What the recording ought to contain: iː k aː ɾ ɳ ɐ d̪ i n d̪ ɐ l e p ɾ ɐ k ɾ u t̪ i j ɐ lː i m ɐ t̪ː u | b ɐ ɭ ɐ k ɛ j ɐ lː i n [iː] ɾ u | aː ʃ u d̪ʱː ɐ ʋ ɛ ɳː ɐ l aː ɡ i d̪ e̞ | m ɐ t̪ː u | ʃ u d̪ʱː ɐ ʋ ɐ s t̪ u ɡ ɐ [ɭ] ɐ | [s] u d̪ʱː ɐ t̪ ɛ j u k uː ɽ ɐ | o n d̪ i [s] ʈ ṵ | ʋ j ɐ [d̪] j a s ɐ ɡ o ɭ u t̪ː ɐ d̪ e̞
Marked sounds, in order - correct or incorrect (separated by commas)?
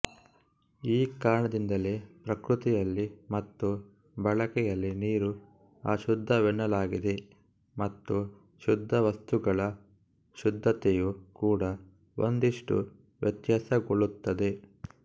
correct, correct, incorrect, incorrect, incorrect